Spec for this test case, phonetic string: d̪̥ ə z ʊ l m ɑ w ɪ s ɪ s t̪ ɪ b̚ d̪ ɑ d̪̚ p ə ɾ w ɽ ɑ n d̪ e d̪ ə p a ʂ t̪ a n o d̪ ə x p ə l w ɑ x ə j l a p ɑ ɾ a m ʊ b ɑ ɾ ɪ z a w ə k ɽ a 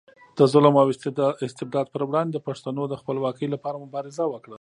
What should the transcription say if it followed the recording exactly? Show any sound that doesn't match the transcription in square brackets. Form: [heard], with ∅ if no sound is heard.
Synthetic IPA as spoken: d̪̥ ə z ʊ l m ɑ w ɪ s ɪ s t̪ ɪ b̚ d̪ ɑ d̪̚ p ə ɾ w ɽ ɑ n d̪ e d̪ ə p a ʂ t̪ a n o d̪ ə x p ə l w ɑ [k] ə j l a p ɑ ɾ a m ʊ b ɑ ɾ ɪ z a w ə k ɽ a